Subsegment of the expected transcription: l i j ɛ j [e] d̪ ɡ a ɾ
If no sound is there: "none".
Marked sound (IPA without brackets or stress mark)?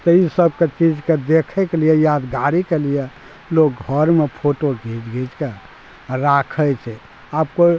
a